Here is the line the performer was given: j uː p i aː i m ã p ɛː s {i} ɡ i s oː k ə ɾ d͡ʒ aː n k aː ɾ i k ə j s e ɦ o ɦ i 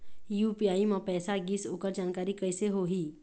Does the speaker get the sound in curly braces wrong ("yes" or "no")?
yes